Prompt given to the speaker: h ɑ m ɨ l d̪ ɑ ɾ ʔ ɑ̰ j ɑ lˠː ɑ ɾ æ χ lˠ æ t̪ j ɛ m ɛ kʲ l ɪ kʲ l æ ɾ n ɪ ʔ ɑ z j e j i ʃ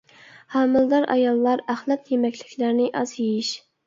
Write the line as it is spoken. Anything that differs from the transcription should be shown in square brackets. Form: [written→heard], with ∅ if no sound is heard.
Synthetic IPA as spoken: h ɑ m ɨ l d̪ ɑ ɾ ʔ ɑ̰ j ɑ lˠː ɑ ɾ æ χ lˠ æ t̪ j [ɛ→e] m ɛ kʲ l ɪ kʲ l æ ɾ n ɪ ʔ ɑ z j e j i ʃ